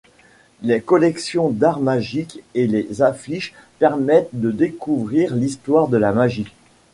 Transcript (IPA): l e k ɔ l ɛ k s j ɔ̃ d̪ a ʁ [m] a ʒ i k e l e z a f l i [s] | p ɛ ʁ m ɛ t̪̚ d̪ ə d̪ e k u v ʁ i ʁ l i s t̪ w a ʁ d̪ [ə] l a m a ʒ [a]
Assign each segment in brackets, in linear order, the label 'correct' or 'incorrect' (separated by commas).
correct, incorrect, correct, incorrect